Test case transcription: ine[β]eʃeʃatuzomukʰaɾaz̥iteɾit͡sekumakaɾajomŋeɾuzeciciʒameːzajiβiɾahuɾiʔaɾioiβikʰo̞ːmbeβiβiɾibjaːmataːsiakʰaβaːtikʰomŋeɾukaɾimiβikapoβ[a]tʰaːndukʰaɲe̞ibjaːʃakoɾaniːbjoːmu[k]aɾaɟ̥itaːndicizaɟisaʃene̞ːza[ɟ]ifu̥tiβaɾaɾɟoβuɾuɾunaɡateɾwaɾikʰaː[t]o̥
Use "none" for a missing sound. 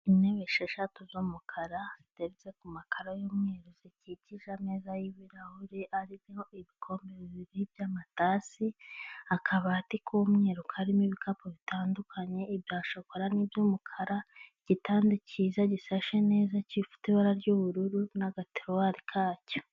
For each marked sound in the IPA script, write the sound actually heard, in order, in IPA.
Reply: β, i, kʰ, c, c

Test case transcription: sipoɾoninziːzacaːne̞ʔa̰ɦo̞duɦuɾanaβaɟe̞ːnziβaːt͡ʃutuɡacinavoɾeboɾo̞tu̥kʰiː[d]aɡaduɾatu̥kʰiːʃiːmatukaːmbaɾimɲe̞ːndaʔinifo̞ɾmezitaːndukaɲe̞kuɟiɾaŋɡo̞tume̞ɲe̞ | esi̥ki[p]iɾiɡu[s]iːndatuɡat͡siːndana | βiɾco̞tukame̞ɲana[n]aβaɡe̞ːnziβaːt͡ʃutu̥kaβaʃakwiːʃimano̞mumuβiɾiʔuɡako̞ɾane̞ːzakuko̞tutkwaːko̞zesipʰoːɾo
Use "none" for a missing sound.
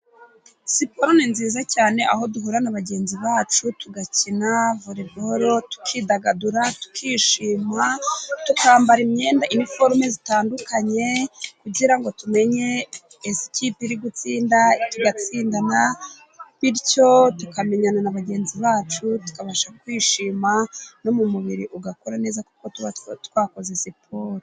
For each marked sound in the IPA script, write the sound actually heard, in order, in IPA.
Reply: d, p, t͡s, n

